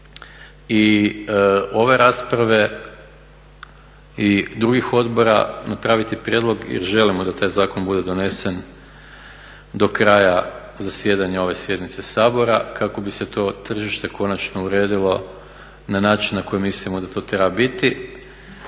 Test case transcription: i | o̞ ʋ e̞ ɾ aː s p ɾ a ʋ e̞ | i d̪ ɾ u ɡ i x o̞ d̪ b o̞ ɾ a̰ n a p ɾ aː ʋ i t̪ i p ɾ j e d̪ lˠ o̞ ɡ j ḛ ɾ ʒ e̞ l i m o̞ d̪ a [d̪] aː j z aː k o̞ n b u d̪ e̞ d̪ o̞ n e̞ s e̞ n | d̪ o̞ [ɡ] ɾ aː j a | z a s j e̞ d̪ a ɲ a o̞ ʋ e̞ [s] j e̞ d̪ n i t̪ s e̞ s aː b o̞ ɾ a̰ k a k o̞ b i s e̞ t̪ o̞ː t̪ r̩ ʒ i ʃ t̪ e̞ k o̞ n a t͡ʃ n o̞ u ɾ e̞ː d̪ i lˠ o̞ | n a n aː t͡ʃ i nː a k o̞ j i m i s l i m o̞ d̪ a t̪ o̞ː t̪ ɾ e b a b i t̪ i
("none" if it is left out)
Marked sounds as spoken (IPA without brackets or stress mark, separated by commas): t̪, k, s